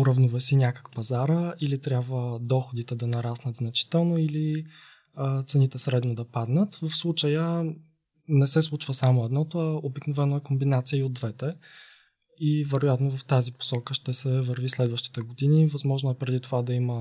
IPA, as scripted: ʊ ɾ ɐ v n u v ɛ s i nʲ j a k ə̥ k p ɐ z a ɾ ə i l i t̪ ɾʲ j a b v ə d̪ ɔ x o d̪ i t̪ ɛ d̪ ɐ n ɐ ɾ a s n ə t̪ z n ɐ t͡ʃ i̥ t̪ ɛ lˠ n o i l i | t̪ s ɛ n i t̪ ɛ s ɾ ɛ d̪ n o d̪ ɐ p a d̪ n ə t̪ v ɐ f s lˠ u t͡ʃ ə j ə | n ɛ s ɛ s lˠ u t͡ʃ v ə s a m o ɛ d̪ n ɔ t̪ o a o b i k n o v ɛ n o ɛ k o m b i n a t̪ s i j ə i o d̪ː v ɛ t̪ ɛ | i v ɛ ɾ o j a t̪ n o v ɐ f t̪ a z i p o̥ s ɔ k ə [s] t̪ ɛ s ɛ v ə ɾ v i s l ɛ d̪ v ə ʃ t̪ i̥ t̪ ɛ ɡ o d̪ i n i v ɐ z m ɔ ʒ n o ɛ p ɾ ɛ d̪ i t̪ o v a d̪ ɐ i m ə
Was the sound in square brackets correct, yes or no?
no